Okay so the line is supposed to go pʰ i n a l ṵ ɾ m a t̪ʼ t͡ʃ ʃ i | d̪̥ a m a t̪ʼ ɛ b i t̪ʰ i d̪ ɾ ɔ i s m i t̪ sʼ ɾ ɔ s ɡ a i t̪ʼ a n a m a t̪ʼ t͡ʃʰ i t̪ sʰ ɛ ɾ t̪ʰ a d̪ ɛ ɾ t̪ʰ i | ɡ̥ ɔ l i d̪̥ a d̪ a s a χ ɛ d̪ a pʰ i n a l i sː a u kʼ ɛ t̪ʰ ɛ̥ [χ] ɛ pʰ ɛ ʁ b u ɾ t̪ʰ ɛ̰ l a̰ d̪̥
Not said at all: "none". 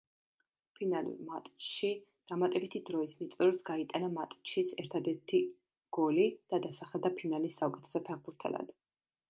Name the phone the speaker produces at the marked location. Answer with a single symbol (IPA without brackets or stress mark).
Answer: s